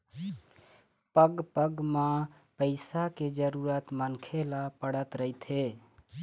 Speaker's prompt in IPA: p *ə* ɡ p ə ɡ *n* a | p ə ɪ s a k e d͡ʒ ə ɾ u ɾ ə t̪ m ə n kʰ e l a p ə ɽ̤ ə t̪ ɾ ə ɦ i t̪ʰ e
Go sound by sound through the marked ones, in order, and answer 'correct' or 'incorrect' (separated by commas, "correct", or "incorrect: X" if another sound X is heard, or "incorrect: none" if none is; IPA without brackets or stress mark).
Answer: correct, incorrect: m